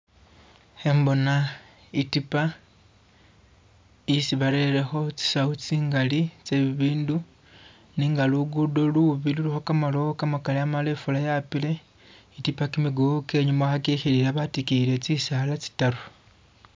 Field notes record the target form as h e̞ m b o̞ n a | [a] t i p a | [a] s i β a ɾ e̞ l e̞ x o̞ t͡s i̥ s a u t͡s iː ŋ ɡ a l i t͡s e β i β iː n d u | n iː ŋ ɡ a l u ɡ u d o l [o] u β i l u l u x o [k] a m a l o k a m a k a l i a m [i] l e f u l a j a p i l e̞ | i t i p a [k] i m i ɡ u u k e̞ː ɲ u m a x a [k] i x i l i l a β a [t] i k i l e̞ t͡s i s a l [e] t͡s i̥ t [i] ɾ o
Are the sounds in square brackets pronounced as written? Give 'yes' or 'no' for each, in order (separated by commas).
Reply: no, no, no, yes, no, yes, yes, yes, no, no